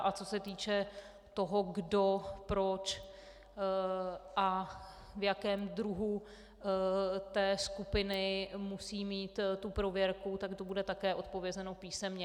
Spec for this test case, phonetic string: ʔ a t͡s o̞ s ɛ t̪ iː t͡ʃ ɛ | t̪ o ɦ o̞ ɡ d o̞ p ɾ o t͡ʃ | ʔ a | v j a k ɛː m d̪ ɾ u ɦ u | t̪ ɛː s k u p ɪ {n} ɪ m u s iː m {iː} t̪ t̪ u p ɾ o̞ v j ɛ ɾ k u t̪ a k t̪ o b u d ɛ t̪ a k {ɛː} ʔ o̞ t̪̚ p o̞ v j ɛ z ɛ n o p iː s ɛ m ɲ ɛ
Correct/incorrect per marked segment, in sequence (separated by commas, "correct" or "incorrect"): correct, correct, correct